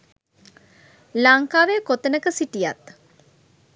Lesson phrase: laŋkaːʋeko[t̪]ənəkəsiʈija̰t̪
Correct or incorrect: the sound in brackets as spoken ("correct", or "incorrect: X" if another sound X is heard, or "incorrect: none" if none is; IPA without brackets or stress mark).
correct